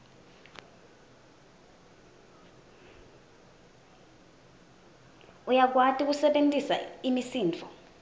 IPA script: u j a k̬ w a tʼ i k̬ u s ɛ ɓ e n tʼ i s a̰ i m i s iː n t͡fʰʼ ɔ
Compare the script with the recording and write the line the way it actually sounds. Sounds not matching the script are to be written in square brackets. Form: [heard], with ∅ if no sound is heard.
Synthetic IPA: u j a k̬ w a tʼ i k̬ u s ɛ ɓ e n tʼ i s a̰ i m i s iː n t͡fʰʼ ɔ